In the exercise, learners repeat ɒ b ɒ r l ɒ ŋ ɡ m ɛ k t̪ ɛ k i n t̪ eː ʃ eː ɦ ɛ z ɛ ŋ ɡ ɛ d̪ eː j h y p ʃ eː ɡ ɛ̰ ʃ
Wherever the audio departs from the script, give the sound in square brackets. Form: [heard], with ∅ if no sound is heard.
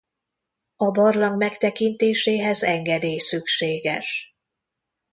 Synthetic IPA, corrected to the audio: ɒ b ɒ r l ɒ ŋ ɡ m ɛ k t̪ ɛ k i n t̪ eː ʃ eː ɦ ɛ z ɛ ŋ ɡ ɛ d̪ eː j [s] y [k] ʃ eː ɡ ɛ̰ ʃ

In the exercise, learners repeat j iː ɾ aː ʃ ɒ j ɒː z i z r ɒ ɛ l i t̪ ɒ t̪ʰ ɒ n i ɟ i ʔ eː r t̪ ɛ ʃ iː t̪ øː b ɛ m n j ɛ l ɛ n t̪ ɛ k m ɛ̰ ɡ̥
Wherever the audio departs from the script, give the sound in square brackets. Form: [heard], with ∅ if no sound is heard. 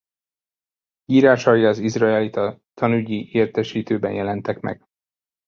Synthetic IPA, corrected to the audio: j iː ɾ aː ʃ ɒ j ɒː z i z r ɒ ɛ l i t̪ ɒ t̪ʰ ɒ n [y] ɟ i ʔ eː r t̪ ɛ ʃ iː t̪ øː b ɛ [∅] n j ɛ l ɛ n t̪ ɛ k m ɛ̰ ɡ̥

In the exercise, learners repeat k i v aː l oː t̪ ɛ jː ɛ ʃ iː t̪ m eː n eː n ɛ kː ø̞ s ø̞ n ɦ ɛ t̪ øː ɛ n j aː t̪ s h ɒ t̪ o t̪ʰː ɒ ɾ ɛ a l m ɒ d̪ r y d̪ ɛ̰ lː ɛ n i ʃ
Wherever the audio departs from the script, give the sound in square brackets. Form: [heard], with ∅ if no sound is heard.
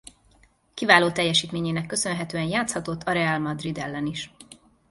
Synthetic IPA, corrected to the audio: k i v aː l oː t̪ ɛ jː ɛ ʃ iː t̪ m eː [ɲ] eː n ɛ kː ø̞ s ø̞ n ɦ ɛ t̪ øː ɛ n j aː t̪ s h ɒ t̪ o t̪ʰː ɒ ɾ ɛ a l m ɒ d̪ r [i] d̪ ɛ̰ lː ɛ n i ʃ

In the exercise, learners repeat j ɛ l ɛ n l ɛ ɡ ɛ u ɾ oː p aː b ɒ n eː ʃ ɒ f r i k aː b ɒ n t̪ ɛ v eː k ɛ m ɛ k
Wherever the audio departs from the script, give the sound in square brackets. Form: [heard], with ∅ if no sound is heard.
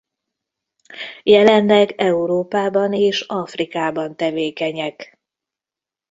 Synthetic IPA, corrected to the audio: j ɛ l ɛ n l ɛ ɡ ɛ u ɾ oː p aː b ɒ n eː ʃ ɒ f r i k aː b ɒ n t̪ ɛ v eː k ɛ [ɲ] ɛ k

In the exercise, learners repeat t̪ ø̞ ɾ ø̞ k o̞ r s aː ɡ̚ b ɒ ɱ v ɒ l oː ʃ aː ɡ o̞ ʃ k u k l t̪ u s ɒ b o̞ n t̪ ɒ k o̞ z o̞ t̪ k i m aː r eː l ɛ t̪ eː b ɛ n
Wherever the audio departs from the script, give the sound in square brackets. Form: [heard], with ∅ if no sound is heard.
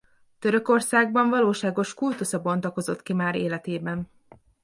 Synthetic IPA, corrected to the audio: t̪ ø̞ ɾ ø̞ k o̞ r s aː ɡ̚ b ɒ ɱ v ɒ l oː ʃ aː ɡ o̞ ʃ k u [∅] l t̪ u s ɒ b o̞ n t̪ ɒ k o̞ z o̞ t̪ k i m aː [ɾ] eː l ɛ t̪ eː b ɛ n

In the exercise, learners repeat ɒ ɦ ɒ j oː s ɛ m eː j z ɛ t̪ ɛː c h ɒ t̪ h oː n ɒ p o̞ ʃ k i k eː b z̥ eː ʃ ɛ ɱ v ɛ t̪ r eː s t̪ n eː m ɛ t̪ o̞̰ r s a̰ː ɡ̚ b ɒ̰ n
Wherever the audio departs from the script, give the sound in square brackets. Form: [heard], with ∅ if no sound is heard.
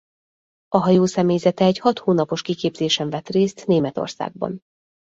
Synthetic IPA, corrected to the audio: ɒ ɦ ɒ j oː s ɛ m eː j z ɛ t̪ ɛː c h ɒ t̪ h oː n ɒ p o̞ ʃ k i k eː b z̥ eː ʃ ɛ ɱ v ɛ t̪ r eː s t̪ n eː m ɛ t̪ o̞̰ r s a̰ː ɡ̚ b ɒ̰ n

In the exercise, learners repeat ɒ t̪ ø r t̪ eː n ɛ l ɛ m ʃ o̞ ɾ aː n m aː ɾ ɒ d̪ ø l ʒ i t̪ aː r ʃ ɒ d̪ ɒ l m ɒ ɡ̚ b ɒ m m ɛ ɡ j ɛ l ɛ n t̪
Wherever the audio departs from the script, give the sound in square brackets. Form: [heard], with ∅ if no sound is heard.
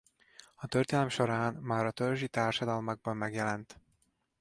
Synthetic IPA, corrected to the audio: ɒ t̪ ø r t̪ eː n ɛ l ɛ m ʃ o̞ ɾ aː n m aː ɾ ɒ [t̪] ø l ʒ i t̪ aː r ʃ ɒ d̪ ɒ l m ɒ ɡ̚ b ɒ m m ɛ ɡ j ɛ l ɛ n t̪

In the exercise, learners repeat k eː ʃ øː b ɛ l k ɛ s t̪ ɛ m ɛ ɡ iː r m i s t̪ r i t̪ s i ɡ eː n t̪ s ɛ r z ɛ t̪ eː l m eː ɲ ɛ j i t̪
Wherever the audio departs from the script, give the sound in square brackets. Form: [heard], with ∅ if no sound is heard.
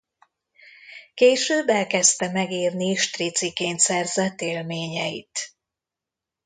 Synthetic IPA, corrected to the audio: k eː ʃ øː b ɛ l k ɛ s t̪ ɛ m ɛ ɡ iː r [n] i [ʃ] t̪ r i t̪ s i [k] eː n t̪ s ɛ r z ɛ t̪ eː l m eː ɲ ɛ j i t̪

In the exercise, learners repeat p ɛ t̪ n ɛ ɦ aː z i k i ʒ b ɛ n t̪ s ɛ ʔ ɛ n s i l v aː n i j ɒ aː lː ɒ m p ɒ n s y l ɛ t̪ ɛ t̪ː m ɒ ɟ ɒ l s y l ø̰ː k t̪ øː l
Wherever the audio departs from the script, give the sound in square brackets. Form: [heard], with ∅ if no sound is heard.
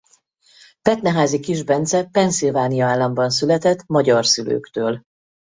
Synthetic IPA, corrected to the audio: p ɛ t̪ n ɛ ɦ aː z i k i ʒ b ɛ n t̪ s ɛ [p] ɛ n s i l v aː n i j ɒ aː lː ɒ m [b] ɒ n s y l ɛ t̪ ɛ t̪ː m ɒ ɟ ɒ [r] s y l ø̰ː k t̪ øː l

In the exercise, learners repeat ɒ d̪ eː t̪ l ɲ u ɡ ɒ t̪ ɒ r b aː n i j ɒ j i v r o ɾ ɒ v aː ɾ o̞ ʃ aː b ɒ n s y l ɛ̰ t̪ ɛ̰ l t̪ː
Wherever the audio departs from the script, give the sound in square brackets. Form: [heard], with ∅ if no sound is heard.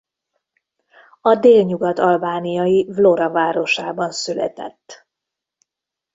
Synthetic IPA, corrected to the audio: ɒ d̪ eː [∅] l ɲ u ɡ ɒ t̪ ɒ [l] b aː n i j ɒ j i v [l] o ɾ ɒ v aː ɾ o̞ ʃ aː b ɒ n s y l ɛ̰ t̪ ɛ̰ [∅] t̪ː

